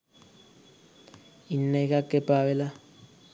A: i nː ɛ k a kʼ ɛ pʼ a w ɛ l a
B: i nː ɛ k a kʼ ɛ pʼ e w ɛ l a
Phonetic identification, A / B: A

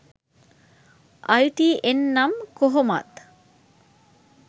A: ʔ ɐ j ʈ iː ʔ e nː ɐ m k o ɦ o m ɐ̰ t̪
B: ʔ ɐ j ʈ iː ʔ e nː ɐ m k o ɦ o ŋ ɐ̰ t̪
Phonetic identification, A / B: A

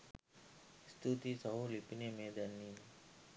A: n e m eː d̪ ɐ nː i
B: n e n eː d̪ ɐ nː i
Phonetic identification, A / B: A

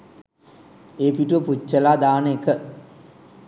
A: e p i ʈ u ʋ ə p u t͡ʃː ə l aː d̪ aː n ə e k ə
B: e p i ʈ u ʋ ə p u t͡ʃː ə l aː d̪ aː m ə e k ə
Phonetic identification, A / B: A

